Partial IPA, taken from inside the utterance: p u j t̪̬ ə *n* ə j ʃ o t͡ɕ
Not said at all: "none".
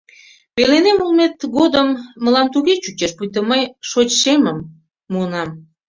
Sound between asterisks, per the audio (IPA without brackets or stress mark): m